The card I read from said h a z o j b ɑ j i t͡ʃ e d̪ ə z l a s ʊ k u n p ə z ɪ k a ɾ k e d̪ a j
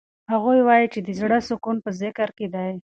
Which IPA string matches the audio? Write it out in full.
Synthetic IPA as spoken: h a ɣ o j w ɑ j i t͡ʃ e d̪ ə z ɽ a s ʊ k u n p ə z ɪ k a ɾ k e d̪ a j